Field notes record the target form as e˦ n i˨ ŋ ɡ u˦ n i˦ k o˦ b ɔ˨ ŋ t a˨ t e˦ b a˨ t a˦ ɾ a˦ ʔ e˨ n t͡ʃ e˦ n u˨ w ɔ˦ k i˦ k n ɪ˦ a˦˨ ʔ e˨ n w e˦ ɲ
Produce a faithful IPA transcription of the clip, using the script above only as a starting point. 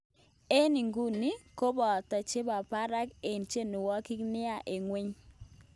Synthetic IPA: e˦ n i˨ ŋ ɡ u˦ n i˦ k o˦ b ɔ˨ t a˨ t͡ʃ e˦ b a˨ p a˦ ɾ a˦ k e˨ n t͡ʃ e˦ n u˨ w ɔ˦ k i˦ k n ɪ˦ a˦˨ ʔ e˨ ŋ w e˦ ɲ

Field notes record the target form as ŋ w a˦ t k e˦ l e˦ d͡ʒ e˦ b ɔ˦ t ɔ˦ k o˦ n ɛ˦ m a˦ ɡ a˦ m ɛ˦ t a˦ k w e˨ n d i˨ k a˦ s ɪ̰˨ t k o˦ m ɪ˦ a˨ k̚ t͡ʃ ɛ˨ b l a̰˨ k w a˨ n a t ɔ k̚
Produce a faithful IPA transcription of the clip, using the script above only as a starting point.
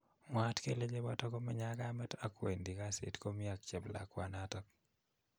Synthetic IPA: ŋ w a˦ t k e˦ l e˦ d͡ʒ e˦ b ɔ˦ t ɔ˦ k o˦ m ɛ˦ ɲ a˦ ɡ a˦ m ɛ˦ t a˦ k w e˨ n d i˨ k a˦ s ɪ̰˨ t k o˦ m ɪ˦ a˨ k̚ t͡ʃ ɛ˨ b l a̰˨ k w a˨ n a t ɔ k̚

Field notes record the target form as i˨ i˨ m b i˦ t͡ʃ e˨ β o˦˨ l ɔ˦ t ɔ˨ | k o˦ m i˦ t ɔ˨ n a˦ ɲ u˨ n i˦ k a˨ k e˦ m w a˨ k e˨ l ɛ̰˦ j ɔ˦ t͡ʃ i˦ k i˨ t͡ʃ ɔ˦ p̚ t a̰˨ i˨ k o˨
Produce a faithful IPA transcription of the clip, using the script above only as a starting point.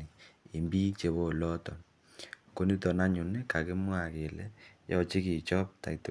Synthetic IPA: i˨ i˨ m b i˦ t͡ʃ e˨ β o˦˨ l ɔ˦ t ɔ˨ | k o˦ n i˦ t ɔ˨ n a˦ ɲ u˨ n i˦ k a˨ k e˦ m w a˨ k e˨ l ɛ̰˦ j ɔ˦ t͡ʃ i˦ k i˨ t͡ʃ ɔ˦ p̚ t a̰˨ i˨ t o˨

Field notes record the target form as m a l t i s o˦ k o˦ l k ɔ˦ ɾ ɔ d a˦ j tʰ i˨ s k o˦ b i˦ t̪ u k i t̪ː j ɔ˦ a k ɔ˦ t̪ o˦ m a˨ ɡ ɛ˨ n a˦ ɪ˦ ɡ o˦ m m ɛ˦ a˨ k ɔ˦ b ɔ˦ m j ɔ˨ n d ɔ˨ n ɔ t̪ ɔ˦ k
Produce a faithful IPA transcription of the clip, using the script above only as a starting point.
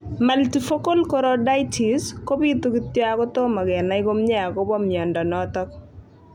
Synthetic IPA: m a l t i f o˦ k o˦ l k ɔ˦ ɾ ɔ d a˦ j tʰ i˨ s k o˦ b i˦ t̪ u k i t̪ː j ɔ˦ a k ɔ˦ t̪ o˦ m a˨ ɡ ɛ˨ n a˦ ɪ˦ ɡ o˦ m ɲ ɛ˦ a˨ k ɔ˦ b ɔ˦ m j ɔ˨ n d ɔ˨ n ɔ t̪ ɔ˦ k

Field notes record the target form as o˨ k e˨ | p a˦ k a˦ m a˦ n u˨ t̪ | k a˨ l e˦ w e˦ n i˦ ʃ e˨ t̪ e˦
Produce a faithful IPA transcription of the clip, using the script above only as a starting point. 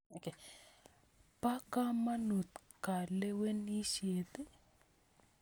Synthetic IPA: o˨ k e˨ | p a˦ k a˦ m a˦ n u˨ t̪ | k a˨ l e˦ w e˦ n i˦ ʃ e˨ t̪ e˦

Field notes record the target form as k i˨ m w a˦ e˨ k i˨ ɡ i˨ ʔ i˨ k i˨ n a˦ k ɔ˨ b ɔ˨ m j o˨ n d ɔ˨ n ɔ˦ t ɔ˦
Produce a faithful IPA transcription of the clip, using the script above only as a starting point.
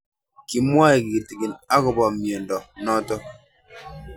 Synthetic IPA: k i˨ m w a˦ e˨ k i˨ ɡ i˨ t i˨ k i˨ n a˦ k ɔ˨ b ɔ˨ m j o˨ n d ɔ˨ n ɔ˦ t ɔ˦

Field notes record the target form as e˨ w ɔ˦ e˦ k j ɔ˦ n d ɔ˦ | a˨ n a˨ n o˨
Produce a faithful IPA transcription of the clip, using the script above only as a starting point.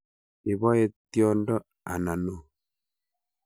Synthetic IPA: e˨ β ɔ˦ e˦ t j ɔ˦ n d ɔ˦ | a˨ n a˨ n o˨

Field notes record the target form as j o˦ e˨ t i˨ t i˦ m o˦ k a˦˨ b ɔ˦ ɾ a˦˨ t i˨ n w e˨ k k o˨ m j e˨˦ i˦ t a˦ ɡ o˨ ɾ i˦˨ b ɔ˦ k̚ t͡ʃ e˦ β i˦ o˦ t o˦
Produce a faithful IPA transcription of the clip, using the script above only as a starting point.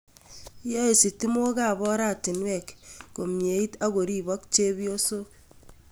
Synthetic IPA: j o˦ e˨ s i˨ t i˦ m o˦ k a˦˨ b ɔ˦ ɾ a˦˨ t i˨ n w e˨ k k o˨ m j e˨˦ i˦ t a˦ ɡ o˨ ɾ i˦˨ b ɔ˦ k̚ t͡ʃ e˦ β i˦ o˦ s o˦

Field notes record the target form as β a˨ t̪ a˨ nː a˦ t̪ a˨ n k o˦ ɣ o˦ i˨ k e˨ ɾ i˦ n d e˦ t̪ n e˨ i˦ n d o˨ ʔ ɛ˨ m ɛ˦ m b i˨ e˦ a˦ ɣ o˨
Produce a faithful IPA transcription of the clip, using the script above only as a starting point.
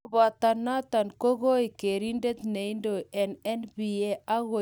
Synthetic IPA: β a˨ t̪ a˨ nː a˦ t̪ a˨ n k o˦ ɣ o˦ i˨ k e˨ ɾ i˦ n d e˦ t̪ n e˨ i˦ n d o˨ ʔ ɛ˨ n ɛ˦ n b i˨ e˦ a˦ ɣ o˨

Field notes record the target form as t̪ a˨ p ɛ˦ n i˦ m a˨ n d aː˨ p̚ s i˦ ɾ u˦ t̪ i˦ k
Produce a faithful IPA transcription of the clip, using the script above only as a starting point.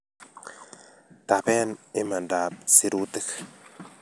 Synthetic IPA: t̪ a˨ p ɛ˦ n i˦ m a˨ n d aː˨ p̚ s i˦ ɾ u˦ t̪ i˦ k

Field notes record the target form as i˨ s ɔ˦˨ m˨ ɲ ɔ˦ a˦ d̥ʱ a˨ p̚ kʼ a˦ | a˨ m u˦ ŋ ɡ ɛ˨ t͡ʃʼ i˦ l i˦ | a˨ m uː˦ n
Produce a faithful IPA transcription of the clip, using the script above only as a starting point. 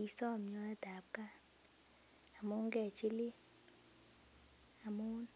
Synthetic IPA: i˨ s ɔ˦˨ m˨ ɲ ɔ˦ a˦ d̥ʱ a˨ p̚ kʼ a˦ | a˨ m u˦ ŋ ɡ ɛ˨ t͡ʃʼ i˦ l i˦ | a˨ m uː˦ n

